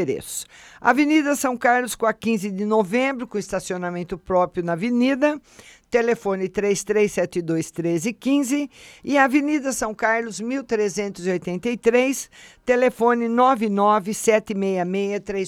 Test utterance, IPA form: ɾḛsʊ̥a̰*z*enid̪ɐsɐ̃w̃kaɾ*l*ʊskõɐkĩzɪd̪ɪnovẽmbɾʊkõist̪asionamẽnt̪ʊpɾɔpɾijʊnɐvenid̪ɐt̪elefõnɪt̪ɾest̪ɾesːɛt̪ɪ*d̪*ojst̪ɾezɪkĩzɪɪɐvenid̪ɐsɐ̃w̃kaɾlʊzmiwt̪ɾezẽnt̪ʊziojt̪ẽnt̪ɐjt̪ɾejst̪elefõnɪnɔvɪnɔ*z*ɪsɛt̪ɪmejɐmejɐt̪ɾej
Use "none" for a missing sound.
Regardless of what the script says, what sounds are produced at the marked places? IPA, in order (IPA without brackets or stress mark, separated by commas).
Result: v, l, d̪, v